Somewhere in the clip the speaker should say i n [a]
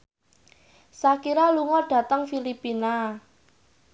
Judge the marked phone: correct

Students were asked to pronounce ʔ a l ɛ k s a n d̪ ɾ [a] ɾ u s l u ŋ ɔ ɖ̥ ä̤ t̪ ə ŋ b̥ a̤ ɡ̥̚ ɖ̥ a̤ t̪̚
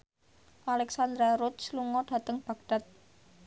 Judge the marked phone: correct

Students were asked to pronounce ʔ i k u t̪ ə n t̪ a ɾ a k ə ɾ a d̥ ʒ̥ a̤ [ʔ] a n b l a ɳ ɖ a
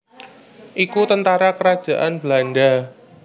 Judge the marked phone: correct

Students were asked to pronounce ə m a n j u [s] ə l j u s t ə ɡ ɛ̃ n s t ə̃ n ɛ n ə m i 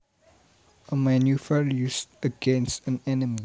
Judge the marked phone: incorrect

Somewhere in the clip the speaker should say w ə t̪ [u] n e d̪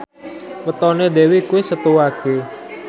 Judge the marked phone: incorrect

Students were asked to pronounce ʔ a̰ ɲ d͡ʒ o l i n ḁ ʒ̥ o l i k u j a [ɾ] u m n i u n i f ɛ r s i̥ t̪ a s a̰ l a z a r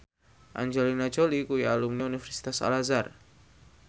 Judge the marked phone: incorrect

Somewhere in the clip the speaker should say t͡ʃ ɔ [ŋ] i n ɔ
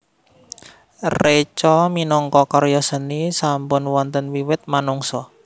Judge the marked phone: incorrect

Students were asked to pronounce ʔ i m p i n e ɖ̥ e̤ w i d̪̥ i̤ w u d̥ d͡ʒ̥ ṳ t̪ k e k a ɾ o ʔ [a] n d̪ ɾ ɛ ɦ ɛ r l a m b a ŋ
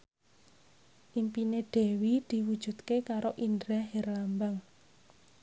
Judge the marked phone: incorrect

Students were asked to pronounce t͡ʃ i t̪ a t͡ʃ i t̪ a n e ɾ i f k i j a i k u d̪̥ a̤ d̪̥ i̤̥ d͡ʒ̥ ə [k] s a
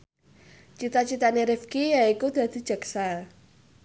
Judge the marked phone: correct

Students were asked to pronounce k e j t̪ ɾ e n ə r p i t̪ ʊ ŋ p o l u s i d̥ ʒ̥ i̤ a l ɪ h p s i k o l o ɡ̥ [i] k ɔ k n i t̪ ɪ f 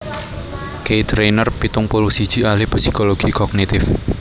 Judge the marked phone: correct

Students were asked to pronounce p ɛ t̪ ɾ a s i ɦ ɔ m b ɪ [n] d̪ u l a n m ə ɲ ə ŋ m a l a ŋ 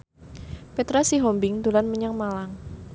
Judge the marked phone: incorrect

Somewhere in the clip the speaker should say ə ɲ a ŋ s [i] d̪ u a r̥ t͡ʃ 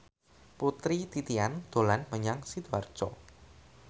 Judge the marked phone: correct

